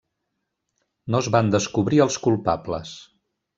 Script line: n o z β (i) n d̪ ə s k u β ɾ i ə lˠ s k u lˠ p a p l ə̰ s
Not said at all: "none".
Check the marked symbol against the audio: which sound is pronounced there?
a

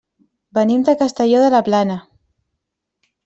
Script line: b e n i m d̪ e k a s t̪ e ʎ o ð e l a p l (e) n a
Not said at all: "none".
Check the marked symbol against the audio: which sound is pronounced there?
a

